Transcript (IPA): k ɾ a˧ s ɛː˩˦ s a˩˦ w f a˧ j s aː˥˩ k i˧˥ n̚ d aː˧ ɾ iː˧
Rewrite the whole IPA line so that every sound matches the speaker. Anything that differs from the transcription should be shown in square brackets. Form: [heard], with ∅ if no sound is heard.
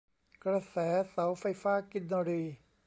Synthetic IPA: k ɾ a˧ s ɛː˩˦ s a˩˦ w f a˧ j [f] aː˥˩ k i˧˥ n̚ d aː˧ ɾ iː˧